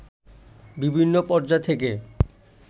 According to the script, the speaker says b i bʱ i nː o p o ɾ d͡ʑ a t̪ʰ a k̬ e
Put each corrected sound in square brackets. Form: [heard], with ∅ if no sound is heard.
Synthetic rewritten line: b i bʱ i nː o p [ɔ] ɾ d͡ʑ a t̪ʰ [e] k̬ e

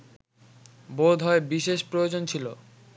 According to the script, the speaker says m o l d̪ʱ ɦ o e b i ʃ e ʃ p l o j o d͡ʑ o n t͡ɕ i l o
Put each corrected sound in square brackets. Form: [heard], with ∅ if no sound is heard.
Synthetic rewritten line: [b] o [∅] d̪ʱ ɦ [ɔ] e b i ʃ e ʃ p [ɾ] o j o d͡ʑ o n [t͡ɕʰ] i l o

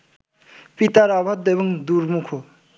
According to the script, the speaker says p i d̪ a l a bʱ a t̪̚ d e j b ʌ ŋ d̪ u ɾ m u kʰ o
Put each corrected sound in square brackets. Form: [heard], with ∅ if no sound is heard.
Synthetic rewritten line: p i [t̪] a [ɾ] a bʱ a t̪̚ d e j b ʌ ŋ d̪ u ɾ m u kʰ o

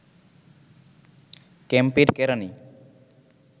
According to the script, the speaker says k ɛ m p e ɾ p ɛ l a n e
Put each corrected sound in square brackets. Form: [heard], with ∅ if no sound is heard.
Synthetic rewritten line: k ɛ m p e ɾ [k] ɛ [ɾ] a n [i]

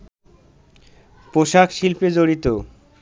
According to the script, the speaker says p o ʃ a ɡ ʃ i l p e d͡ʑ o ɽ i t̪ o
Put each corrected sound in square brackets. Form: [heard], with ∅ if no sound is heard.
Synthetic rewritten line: p o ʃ a [k] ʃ i l p e d͡ʑ o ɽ i t̪ o

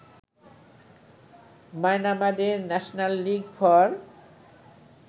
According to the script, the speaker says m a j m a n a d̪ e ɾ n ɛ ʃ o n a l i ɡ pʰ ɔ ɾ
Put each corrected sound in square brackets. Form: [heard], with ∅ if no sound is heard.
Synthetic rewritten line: m a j [n] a [m] a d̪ e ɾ n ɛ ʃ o n a [lː] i ɡ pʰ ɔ ɾ

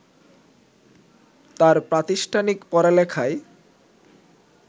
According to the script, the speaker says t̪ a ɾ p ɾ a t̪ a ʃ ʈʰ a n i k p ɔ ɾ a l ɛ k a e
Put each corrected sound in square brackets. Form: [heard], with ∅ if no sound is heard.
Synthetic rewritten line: t̪ a ɾ p ɾ a t̪ [i] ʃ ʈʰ a n i k p ɔ ɾ a l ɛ [kʰ] a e

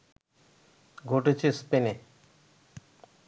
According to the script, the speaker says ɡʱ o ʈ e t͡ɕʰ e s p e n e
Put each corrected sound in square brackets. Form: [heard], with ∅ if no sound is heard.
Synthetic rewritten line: ɡʱ o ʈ e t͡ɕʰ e s p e n e

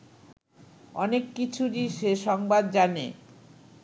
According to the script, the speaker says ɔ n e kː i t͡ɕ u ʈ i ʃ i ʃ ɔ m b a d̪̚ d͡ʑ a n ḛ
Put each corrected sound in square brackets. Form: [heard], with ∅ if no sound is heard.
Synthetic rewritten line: ɔ n e kː i [t͡ɕʰ] u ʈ i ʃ [e] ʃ ɔ [ŋ] b a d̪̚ d͡ʑ a n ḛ

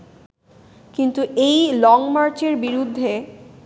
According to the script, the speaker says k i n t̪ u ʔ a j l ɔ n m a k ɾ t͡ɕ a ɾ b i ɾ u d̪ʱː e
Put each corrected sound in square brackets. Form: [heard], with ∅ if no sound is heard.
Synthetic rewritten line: k i n t̪ u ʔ [e] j l ɔ [ŋ] m a [∅] ɾ t͡ɕ [e] ɾ b i ɾ u d̪ʱː e

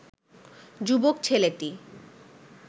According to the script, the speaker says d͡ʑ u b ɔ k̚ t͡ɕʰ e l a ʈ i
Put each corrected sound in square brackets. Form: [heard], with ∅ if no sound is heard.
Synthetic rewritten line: d͡ʑ u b [o] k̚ t͡ɕʰ e l [e] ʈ i

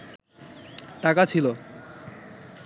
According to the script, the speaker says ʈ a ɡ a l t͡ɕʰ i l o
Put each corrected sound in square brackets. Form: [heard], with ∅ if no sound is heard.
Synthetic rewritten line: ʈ a [k] a [∅] t͡ɕʰ i l o

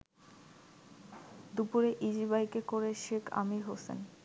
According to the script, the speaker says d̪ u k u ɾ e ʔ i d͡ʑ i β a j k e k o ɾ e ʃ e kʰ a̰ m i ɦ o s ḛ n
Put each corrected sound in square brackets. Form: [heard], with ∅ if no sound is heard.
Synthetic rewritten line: d̪ u [p] u ɾ e ʔ i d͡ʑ i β a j k e k o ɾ e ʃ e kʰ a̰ m i ɦ o s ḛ n

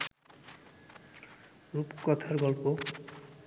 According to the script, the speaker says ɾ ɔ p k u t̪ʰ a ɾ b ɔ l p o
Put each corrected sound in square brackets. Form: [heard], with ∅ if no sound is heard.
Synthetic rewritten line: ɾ [u] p k [ɔ] t̪ʰ a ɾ [ɡ] ɔ l p o

